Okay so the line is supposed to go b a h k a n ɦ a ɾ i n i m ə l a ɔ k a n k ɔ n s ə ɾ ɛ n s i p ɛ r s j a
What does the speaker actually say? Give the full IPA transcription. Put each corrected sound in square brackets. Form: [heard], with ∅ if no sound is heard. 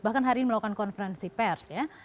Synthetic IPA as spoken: b a h k a n ɦ a ɾ i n i m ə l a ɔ k a n k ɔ n [f] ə ɾ ɛ n s i p ɛ r s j a

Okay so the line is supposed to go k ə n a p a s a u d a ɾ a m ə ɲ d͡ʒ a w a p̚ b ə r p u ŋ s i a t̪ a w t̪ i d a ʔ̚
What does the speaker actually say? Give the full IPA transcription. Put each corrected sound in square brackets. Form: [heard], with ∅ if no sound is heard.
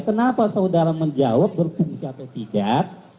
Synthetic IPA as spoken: k ə n a p a s a u d a ɾ a m ə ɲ d͡ʒ a w a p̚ b ə r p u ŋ s i a t̪ a w t̪ i d a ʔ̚

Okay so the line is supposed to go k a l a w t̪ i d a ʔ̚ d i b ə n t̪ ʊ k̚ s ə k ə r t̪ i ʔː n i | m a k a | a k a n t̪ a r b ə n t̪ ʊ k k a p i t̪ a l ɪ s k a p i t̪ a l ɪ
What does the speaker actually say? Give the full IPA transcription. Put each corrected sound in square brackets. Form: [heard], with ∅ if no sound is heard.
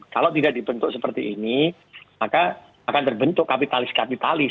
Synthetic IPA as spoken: k a l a w t̪ i d a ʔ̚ d i b ə n t̪ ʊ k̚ s ə [p] ə r t̪ i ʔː n i | m a k a | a k a n t̪ [ə] r b ə n t̪ ʊ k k a p i t̪ a l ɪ s k a p i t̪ a l ɪ

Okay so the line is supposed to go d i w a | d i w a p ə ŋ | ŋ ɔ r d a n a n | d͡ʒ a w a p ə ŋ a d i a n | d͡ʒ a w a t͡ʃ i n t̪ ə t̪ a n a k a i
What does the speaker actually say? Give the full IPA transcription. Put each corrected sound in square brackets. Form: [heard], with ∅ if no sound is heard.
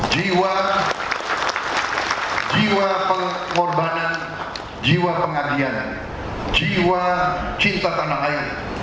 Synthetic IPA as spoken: [d͡ʒ] i w a | [d͡ʒ] i w a p ə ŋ | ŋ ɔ r [b] a n a n | d͡ʒ [i] w a p ə ŋ a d i a n | d͡ʒ [i] w a t͡ʃ i n t̪ [a] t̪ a n a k a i

